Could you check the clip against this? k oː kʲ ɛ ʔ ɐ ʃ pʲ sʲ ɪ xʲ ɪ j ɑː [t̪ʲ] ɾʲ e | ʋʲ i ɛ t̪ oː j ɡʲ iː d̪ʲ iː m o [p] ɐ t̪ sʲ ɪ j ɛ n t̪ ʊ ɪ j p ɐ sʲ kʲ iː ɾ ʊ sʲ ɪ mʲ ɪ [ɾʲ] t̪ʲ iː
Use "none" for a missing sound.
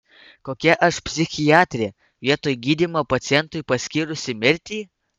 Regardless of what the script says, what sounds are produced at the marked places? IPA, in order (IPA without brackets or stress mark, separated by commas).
t̪ʲ, p, ɾʲ